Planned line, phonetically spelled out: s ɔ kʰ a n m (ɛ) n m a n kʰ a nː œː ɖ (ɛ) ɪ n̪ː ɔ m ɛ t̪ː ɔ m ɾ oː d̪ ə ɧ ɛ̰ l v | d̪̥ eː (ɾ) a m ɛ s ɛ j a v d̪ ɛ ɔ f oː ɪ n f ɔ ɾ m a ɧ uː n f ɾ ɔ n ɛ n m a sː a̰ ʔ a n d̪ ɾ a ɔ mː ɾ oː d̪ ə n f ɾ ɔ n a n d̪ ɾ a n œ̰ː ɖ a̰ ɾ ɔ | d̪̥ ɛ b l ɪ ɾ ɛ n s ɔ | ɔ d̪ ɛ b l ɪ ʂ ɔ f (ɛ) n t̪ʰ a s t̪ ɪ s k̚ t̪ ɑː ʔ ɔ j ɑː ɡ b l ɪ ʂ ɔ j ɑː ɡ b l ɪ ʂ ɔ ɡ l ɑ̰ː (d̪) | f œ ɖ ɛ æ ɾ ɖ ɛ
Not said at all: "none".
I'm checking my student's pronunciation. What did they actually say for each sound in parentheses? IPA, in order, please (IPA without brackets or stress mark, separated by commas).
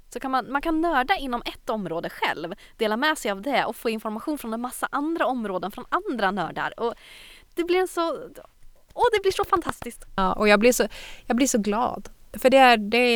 a, a, l, a, d̪